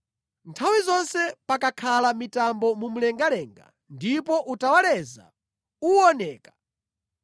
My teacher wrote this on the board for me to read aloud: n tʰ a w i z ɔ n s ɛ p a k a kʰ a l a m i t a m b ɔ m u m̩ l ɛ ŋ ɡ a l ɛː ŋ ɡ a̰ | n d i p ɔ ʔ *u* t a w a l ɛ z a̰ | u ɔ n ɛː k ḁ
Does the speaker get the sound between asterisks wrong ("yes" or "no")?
no